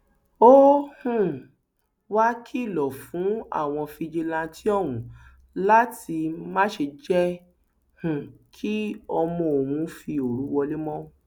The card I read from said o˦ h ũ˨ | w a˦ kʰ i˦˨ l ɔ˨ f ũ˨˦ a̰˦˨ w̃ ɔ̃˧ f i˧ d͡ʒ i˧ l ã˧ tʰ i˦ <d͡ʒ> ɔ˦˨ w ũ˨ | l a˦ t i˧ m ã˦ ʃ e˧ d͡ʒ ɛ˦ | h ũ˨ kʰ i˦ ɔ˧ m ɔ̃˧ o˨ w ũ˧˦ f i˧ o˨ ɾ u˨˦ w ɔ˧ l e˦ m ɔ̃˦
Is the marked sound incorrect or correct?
incorrect